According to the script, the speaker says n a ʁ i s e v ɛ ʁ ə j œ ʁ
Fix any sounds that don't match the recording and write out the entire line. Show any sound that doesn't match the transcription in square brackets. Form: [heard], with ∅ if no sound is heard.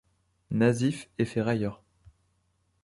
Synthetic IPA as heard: n a [z] i [f] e [f] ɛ ʁ [a] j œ ʁ